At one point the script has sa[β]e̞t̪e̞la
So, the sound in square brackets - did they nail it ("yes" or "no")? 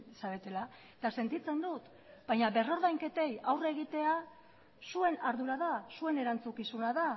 yes